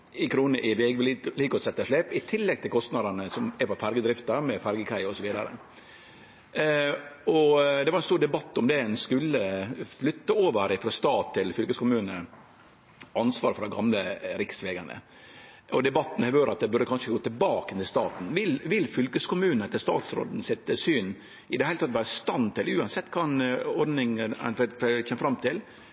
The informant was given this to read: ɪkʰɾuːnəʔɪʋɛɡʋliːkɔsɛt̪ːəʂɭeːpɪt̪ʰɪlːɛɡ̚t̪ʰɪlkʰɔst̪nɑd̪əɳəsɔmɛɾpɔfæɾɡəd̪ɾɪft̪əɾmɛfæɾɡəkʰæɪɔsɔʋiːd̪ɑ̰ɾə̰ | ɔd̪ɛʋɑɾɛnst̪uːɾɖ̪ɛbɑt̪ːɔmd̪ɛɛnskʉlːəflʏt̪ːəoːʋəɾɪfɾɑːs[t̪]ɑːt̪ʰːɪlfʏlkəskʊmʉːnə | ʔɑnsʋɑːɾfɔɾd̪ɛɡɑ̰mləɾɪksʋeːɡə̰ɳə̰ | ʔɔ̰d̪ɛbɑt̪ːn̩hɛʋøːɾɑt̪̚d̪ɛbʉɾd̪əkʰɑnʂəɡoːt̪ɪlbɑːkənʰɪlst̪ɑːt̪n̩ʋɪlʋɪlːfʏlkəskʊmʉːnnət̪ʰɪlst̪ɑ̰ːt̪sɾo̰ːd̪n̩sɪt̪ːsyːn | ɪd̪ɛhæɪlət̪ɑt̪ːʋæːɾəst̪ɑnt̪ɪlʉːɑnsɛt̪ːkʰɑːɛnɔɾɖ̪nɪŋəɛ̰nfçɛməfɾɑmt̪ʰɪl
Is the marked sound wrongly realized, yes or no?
no